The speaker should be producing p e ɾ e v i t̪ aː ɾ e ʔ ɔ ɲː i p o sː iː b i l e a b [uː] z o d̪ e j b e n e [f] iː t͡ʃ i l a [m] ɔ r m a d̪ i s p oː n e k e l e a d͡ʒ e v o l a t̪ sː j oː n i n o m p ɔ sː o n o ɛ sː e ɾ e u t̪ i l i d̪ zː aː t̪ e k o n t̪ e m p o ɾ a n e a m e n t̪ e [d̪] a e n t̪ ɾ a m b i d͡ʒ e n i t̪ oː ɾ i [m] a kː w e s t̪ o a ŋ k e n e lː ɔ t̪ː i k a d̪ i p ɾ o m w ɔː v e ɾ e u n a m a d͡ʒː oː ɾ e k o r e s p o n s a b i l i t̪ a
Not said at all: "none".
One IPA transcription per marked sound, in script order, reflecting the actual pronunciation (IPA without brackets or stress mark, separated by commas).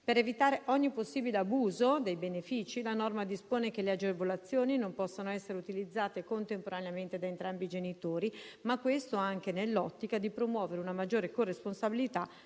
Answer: uː, f, n, d̪, m